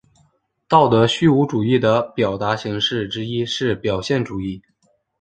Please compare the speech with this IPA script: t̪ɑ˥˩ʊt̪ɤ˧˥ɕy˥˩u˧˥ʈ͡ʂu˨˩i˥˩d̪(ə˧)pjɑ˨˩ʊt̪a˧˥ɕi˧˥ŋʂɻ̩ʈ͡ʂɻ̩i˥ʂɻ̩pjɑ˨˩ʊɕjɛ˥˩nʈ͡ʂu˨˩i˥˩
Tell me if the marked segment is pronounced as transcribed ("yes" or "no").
no